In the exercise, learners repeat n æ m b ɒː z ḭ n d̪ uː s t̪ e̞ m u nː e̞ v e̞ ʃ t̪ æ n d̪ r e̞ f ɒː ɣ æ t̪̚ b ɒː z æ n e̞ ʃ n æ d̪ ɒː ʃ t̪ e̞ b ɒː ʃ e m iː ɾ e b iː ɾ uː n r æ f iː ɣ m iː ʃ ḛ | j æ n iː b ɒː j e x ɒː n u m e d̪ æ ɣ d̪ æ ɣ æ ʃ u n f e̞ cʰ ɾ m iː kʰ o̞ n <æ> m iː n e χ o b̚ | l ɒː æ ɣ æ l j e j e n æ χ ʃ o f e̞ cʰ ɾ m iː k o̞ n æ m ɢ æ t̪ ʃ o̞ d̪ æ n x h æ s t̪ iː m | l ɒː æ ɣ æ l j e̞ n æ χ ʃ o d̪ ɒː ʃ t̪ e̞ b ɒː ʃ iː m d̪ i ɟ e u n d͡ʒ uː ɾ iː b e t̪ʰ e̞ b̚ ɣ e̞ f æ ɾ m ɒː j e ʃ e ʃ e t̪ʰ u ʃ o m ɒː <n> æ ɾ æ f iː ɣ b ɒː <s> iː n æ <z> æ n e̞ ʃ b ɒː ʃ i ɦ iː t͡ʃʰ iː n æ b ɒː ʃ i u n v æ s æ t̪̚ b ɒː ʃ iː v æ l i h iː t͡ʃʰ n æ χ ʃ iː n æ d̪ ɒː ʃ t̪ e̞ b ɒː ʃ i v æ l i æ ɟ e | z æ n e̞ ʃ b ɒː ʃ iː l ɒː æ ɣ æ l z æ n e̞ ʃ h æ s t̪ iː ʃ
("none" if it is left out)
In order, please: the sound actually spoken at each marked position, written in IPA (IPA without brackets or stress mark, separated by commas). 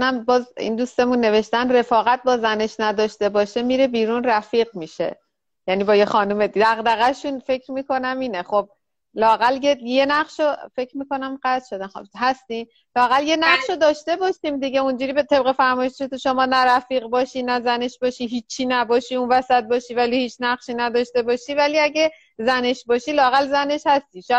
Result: æ, n, ʃ, z